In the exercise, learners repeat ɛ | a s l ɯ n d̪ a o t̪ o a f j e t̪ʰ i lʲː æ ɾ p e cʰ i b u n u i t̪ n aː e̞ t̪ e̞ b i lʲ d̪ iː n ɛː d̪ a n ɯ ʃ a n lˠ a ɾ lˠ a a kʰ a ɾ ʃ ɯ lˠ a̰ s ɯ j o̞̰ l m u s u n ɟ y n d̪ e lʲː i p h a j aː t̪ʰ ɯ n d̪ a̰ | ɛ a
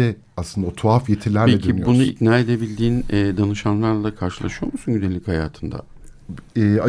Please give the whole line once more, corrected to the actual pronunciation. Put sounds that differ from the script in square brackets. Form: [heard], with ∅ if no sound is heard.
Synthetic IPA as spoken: ɛ | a s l ɯ n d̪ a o [t̪ʰ] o a f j e t̪ʰ i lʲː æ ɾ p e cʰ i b u n u i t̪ n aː e̞ [d̪] e̞ b i lʲ d̪ iː n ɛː d̪ a n ɯ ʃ a n lˠ a ɾ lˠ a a kʰ a ɾ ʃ ɯ lˠ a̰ [ʃ] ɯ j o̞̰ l m u s u n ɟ y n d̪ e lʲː i [c] h a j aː t̪ʰ ɯ n d̪ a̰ | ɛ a